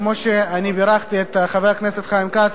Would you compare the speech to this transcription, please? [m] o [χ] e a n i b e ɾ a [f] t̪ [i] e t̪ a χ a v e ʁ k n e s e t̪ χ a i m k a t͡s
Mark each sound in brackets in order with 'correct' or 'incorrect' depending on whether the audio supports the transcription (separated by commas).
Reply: correct, incorrect, incorrect, correct